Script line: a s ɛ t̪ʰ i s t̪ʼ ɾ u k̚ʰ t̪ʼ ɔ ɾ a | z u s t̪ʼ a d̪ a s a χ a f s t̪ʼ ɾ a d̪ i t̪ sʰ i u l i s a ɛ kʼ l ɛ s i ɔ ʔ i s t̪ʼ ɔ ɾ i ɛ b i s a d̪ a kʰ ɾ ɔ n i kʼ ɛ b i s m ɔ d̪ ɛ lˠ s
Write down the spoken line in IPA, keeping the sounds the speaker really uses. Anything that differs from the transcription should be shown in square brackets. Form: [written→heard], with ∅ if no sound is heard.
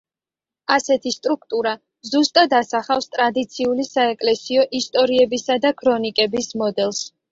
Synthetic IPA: a s ɛ t̪ʰ i s t̪ʼ ɾ u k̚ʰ t̪ʼ [ɔ→u] ɾ a | z u s t̪ʼ a d̪ a s a χ a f s t̪ʼ ɾ a d̪ i t̪ sʰ i u l i s a ɛ kʼ l ɛ s i ɔ ʔ i s t̪ʼ ɔ ɾ i ɛ b i s a d̪ a kʰ ɾ ɔ n i kʼ ɛ b i s m ɔ d̪ ɛ lˠ s